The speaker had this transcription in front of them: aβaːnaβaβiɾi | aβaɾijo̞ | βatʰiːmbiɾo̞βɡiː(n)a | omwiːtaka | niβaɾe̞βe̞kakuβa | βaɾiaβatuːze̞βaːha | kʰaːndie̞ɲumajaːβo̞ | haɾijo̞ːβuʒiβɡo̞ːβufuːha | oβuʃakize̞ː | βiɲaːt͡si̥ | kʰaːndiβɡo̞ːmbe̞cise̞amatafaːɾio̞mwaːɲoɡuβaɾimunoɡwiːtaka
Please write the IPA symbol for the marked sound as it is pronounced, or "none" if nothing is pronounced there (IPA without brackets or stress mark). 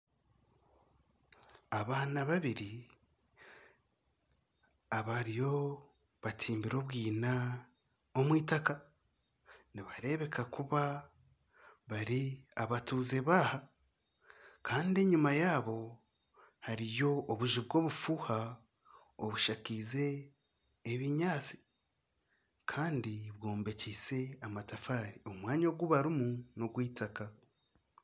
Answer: n